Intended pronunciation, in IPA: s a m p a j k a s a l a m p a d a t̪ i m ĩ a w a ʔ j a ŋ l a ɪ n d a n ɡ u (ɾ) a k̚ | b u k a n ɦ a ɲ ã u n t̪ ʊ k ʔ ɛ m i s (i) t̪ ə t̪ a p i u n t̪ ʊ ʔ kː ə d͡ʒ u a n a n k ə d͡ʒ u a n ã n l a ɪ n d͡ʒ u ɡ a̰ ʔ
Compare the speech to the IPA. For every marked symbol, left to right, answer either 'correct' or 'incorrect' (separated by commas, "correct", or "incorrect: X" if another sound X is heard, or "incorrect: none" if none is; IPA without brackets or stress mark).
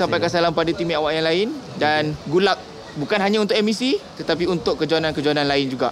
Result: incorrect: l, correct